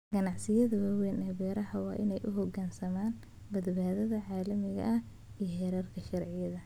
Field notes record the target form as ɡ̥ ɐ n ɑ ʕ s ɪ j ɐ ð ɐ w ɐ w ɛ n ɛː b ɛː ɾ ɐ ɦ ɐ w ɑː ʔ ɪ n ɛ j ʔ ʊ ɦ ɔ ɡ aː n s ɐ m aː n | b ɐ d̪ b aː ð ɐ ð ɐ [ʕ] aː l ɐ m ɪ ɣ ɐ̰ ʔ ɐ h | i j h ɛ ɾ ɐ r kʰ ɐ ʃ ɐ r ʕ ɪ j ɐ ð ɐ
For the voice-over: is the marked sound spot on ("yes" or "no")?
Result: yes